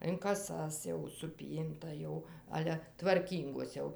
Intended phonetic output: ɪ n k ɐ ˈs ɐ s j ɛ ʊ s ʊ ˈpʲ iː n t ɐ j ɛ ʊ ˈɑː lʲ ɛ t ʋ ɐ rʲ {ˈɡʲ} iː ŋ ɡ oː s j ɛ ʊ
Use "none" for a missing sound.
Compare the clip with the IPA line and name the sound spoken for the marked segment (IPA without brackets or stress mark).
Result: kʲ